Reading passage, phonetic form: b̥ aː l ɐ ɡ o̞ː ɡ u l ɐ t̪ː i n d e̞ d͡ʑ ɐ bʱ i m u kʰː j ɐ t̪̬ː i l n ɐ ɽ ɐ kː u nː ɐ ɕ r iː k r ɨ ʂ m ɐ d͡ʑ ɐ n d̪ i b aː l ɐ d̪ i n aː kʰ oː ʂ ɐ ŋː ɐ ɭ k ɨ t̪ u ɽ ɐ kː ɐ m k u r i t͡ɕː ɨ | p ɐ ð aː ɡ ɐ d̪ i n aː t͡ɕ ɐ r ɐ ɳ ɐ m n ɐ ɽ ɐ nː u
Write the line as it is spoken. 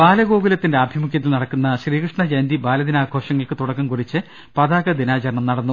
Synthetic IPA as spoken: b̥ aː l ɐ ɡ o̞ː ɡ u l ɐ t̪ː i n d e̞ ɐ bʱ i m u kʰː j ɐ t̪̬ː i l n ɐ ɽ ɐ kː u nː ɐ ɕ r iː k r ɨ ʂ ɳ ɐ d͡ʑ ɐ n d̪ i b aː l ɐ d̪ i n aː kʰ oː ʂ ɐ ŋː ɐ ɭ k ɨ t̪ u ɽ ɐ kː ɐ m k u r i t͡ɕː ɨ | p ɐ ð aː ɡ ɐ d̪ i n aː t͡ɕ ɐ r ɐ ɳ ɐ m n ɐ ɽ ɐ nː u